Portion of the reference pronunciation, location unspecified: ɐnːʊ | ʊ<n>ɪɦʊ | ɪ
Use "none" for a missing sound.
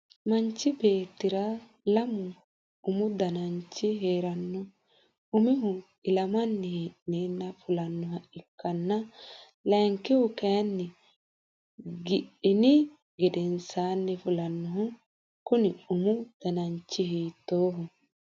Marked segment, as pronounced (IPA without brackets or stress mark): m